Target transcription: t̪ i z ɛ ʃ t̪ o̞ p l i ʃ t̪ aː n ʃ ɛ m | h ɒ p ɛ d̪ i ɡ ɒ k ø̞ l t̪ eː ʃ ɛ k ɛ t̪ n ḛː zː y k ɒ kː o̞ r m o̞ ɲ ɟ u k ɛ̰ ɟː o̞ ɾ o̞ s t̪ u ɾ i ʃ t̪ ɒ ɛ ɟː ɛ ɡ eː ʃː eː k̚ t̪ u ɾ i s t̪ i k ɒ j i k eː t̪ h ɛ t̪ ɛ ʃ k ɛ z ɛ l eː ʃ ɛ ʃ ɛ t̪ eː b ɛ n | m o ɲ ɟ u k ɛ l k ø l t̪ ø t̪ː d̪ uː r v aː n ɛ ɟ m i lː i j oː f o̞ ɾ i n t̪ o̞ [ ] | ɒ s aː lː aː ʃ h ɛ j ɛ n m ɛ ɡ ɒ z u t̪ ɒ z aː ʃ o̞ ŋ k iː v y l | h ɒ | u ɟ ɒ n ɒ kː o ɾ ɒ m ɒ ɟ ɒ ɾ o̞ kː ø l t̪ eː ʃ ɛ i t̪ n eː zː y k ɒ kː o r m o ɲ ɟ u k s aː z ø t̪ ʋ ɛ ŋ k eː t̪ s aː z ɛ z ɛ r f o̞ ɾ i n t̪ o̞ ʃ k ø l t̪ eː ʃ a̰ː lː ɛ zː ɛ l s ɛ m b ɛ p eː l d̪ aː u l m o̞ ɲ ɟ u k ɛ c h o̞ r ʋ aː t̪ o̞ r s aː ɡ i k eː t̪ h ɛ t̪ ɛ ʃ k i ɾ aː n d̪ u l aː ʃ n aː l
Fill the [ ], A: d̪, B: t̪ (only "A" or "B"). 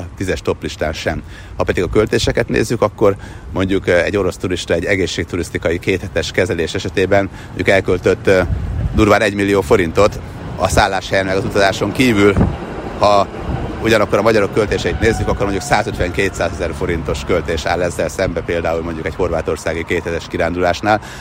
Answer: B